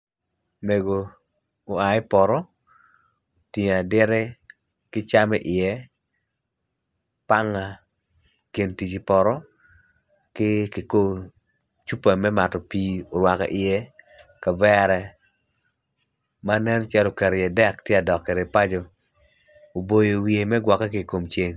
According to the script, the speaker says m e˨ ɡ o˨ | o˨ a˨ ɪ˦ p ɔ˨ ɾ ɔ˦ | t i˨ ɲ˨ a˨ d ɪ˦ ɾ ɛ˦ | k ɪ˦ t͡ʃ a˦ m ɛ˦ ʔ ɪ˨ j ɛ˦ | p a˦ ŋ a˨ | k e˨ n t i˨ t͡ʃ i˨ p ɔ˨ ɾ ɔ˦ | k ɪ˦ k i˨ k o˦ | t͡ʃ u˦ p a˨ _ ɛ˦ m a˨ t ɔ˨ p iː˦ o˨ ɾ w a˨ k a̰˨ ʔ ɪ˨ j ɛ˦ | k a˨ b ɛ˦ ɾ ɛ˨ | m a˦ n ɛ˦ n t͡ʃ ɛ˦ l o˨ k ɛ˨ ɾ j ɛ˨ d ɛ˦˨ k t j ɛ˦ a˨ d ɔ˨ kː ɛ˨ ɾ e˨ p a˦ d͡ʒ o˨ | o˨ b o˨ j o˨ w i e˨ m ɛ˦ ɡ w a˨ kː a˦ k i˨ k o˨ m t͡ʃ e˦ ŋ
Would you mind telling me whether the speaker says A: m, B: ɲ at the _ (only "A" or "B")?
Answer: A